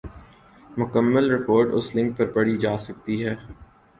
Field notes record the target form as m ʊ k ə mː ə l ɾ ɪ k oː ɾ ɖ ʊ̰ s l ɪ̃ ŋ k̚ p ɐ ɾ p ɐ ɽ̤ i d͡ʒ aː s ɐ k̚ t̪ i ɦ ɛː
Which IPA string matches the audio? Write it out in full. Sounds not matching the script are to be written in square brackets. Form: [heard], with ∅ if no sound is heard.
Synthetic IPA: m ʊ k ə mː ə l ɾ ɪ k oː ɾ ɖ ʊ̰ s l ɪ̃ ŋ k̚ p ɐ ɾ p ɐ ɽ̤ i d͡ʒ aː s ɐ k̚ t̪ i ɦ ɛː